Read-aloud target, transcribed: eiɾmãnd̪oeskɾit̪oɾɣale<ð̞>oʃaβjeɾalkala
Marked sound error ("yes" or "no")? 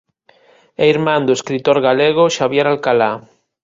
yes